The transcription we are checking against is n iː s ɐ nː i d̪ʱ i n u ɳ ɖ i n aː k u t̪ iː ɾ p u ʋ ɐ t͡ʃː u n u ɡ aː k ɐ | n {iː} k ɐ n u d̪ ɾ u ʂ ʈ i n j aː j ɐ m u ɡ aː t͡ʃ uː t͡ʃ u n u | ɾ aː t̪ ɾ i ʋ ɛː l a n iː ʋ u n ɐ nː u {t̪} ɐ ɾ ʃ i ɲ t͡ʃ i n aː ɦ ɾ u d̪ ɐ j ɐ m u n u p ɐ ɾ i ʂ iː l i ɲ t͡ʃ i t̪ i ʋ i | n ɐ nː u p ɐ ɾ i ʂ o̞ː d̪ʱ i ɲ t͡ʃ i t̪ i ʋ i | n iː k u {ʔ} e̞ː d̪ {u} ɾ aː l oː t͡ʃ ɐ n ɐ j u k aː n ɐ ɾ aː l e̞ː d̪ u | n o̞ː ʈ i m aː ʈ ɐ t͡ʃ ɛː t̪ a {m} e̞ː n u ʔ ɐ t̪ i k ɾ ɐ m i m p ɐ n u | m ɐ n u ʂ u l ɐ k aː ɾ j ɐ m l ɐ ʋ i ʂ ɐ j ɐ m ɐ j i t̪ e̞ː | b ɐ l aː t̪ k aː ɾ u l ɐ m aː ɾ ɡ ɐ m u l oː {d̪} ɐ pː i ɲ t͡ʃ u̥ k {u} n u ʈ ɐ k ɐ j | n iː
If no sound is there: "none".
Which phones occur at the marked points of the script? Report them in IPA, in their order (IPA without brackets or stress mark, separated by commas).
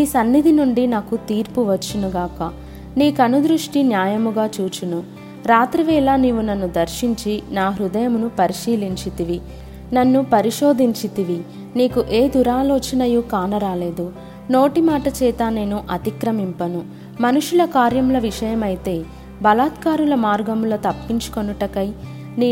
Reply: iː, d̪, ʔ, u, n, t̪, o